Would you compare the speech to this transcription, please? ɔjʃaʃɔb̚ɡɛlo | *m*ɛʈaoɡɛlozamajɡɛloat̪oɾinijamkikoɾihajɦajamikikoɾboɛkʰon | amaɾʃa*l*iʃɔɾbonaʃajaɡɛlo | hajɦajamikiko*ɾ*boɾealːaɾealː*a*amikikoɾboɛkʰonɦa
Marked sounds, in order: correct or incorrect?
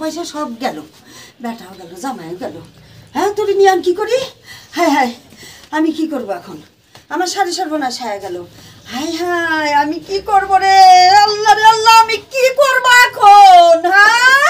incorrect: b, incorrect: ɾ, correct, correct

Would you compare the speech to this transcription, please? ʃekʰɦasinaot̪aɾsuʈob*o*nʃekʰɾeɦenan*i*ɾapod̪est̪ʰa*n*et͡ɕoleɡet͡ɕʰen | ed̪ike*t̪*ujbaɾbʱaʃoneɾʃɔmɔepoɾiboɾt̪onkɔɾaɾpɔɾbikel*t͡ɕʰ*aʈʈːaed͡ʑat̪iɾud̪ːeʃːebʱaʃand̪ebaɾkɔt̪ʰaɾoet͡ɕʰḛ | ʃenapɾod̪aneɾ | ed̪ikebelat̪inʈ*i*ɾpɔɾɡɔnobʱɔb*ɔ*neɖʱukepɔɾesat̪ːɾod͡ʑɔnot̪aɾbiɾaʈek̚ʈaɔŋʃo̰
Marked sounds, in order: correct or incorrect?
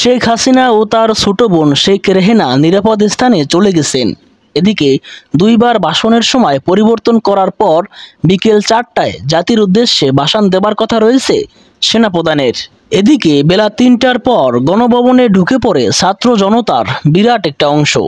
correct, correct, correct, incorrect: d̪, incorrect: t͡ɕ, incorrect: a, incorrect: o

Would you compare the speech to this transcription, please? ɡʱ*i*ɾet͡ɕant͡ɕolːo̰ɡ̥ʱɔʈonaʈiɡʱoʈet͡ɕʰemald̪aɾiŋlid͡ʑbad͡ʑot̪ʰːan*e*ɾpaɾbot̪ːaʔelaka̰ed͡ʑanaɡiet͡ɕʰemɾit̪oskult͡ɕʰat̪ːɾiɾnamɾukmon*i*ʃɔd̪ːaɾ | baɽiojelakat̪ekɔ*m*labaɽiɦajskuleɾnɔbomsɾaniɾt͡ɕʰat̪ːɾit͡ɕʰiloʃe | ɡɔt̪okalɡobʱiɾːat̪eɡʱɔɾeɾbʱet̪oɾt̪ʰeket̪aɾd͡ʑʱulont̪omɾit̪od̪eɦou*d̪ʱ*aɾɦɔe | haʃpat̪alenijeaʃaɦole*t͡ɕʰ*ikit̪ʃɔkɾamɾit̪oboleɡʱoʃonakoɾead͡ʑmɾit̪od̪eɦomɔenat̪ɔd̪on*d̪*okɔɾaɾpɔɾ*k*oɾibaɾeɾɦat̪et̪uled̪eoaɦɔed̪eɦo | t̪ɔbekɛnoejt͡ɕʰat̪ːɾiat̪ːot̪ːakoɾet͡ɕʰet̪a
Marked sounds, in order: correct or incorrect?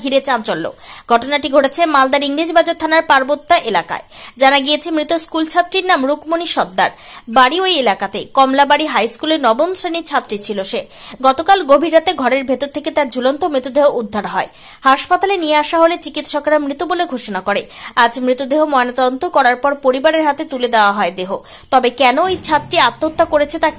correct, incorrect: a, correct, correct, incorrect: d̪ʱː, incorrect: t͡ɕ, incorrect: t̪, incorrect: p

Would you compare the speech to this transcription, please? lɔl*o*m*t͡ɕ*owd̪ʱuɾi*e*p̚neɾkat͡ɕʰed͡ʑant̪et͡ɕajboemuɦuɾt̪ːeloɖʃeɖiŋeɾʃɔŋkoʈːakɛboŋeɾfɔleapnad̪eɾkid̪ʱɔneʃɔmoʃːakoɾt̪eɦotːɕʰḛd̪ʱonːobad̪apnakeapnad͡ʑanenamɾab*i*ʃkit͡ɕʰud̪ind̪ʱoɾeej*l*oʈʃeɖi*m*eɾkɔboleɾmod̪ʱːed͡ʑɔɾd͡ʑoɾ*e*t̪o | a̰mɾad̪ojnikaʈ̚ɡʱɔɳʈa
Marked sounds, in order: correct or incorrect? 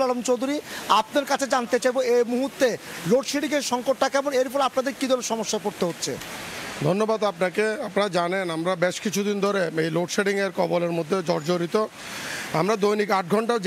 correct, correct, incorrect: a, incorrect: e, correct, incorrect: ŋ, incorrect: i

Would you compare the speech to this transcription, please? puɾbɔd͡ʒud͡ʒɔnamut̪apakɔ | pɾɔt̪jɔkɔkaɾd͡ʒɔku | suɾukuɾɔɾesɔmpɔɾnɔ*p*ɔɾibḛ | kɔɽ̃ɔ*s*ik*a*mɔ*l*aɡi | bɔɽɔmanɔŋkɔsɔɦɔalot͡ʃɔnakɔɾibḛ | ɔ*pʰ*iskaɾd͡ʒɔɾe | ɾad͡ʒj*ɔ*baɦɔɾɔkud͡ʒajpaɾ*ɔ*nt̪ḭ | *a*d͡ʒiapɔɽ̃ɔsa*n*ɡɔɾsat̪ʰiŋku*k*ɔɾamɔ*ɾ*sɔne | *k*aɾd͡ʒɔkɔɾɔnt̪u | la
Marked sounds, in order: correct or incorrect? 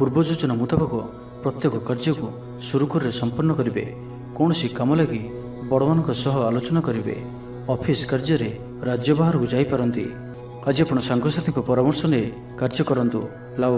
incorrect: k, correct, correct, correct, correct, correct, correct, correct, incorrect: ŋ, incorrect: p, correct, correct

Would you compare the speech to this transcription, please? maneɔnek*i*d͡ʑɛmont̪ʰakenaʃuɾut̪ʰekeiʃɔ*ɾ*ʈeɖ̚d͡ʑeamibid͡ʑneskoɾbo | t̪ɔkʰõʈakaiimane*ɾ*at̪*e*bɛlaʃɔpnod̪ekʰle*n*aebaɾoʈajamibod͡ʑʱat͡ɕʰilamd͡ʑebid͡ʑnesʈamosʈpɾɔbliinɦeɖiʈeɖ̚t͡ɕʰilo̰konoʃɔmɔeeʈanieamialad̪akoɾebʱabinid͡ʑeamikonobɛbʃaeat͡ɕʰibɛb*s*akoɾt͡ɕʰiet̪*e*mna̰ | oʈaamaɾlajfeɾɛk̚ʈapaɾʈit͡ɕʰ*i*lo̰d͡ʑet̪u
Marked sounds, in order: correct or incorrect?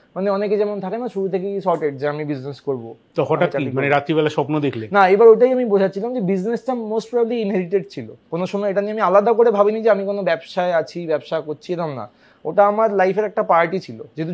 incorrect: e, correct, correct, incorrect: i, correct, incorrect: ʃ, incorrect: a, correct

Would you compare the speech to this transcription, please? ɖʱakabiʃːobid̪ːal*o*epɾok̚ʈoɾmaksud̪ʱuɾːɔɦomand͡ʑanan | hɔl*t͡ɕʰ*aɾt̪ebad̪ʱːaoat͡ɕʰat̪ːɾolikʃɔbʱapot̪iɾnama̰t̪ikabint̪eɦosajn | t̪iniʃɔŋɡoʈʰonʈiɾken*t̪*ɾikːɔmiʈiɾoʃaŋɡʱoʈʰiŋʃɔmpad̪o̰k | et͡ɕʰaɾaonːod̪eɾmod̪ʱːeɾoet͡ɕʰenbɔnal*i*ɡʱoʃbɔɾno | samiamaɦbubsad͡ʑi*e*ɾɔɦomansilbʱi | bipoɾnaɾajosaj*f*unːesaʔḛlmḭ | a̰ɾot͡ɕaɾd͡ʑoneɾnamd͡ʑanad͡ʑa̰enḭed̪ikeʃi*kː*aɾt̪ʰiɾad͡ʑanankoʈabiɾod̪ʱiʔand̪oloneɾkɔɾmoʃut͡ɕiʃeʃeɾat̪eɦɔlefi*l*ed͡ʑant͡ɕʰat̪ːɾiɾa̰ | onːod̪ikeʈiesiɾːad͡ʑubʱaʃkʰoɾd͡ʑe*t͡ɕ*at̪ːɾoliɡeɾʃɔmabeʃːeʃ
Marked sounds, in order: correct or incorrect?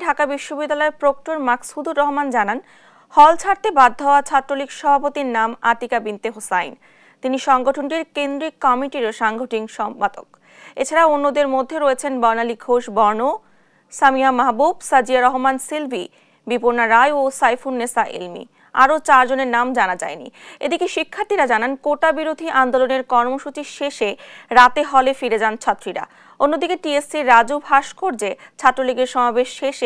incorrect: ɔ, correct, incorrect: d̪, correct, incorrect: a, correct, incorrect: kʰː, incorrect: ɾ, incorrect: t͡ɕʰ

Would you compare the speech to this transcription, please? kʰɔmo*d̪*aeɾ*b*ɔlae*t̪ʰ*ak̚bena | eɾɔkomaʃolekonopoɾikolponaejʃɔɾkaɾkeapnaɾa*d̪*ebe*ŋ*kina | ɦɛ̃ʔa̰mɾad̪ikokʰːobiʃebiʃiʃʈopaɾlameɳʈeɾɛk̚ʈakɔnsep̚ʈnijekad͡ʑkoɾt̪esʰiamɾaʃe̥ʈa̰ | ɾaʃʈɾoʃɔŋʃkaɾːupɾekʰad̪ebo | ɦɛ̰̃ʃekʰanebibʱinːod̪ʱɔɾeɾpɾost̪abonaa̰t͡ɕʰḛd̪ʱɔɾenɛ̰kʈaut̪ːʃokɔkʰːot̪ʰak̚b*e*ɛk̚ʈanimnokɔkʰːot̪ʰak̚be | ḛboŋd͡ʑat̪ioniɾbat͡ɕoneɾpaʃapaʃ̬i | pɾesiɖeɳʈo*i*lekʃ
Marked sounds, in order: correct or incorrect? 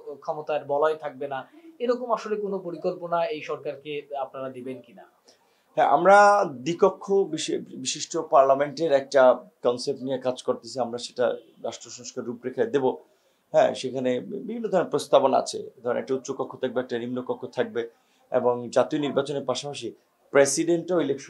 incorrect: t̪, correct, correct, correct, incorrect: n, correct, correct

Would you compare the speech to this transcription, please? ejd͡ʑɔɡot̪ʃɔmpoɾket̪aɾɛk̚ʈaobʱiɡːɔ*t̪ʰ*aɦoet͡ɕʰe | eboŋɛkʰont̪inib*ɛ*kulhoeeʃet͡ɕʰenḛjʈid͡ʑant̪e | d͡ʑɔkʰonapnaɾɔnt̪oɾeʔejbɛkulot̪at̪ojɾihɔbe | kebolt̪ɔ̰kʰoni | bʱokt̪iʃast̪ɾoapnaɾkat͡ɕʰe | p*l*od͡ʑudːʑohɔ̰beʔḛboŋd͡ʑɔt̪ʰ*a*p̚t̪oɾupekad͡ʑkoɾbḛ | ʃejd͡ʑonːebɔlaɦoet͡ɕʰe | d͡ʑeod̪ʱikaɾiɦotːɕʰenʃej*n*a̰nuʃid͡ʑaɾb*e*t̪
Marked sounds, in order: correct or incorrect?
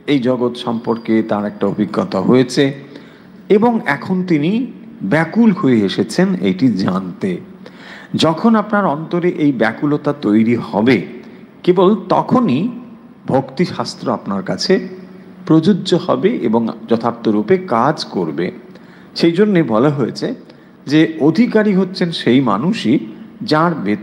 incorrect: t̪, correct, incorrect: ɾ, correct, incorrect: m, correct

